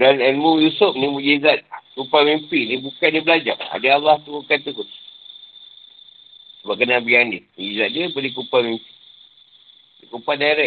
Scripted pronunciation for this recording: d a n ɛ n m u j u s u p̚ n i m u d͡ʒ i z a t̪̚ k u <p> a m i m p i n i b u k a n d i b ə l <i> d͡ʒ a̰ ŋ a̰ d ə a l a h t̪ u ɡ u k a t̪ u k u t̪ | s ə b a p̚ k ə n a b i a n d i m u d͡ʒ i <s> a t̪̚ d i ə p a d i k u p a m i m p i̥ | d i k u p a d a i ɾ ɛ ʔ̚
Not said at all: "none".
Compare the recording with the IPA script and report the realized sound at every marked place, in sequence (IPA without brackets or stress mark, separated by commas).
p, a, z